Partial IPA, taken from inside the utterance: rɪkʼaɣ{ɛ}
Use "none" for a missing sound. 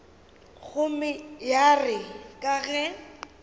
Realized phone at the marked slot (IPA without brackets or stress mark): ɛ